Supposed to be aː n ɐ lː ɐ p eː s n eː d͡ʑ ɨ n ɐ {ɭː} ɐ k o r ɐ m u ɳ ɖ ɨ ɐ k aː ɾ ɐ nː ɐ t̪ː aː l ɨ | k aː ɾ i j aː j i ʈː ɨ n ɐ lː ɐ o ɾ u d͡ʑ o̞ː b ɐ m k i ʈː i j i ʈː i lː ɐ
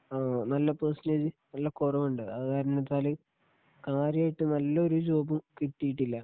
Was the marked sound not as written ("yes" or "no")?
yes